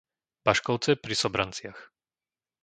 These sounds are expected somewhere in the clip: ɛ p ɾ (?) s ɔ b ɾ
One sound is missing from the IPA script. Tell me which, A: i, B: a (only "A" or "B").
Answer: A